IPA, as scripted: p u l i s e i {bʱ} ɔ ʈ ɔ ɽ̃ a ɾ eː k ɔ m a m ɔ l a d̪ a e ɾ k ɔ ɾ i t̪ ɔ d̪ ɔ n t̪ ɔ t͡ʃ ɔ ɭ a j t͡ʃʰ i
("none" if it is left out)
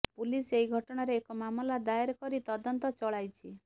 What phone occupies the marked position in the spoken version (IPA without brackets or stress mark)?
ɡʱ